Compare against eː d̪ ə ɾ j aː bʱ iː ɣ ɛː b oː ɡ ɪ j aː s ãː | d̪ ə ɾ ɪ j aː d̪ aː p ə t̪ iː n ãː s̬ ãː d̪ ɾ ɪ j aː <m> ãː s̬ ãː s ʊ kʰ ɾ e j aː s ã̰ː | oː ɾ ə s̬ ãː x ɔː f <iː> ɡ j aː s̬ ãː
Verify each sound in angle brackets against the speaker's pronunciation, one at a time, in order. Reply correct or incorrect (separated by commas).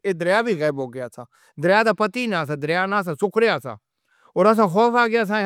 incorrect, incorrect